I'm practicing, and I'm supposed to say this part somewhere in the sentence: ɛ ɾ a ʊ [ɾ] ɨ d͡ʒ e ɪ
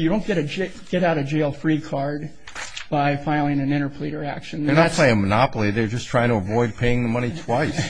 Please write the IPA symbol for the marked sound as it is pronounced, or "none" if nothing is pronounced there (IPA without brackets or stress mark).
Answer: ɾ